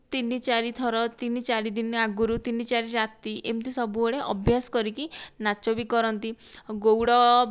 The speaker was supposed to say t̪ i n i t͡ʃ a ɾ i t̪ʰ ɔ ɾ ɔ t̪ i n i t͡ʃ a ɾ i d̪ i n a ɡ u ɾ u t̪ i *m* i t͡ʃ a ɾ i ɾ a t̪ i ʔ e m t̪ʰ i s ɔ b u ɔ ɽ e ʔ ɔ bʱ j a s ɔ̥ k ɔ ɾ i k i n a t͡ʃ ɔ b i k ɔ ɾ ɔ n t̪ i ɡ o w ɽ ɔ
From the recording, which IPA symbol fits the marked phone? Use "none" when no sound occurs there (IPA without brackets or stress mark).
n